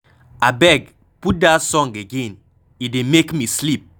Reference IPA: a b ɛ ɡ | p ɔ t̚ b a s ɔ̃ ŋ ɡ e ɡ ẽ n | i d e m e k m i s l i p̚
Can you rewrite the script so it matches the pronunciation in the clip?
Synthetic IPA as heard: a b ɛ ɡ | p u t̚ d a s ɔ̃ ŋ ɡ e ɡ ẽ n | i d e m e k m i s l i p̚